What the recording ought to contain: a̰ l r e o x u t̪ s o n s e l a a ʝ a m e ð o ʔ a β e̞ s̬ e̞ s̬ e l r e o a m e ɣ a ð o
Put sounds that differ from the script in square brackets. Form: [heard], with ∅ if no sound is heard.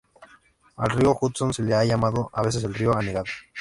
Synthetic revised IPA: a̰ l r [i] o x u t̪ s o n s e l [e] a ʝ a m [a] ð o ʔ a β e̞ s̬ e̞ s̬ e l r [i] o a [n] e ɣ a ð o